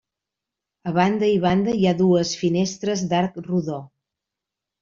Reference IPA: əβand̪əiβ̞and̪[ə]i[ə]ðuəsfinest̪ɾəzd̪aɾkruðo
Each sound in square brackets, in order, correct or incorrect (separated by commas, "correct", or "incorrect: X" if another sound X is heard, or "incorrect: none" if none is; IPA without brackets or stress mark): correct, incorrect: a